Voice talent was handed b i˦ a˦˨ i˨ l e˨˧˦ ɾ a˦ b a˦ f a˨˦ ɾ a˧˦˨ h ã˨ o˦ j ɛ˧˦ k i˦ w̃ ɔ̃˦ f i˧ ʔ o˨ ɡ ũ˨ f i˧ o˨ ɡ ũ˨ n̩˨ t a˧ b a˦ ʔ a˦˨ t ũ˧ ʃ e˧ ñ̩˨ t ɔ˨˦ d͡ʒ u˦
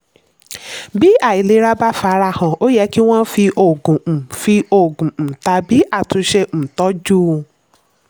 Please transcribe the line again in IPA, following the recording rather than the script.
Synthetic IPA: b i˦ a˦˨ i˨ l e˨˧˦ ɾ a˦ b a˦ f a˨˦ ɾ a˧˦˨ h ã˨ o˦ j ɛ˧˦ k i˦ w̃ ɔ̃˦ f i˧ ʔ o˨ ɡ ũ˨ f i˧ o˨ ɡ ũ˨ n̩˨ t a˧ b i˦ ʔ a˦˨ t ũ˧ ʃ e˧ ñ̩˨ t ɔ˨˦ d͡ʒ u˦